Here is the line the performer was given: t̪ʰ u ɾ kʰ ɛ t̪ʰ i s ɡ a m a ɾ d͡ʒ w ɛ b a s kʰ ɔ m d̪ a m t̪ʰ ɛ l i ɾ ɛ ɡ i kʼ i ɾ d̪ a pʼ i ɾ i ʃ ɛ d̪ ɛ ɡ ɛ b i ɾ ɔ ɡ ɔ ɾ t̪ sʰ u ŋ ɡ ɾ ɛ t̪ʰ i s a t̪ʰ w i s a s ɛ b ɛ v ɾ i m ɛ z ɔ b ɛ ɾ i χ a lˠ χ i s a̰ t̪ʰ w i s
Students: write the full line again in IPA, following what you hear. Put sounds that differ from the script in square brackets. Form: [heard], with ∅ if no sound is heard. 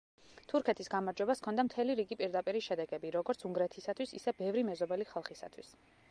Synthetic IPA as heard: t̪ʰ u ɾ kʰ ɛ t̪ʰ i s ɡ a m a ɾ d͡ʒ w ɛ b a s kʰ ɔ [n] d̪ a m t̪ʰ ɛ l i ɾ [i] ɡ i [pʼ] i ɾ d̪ a pʼ i ɾ i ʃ ɛ d̪ ɛ ɡ ɛ b i ɾ ɔ ɡ ɔ ɾ t̪ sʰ u ŋ ɡ ɾ ɛ t̪ʰ i s a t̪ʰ w i s [i] s ɛ b ɛ v ɾ i m ɛ z ɔ b ɛ [l] i χ a lˠ χ i s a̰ t̪ʰ w i s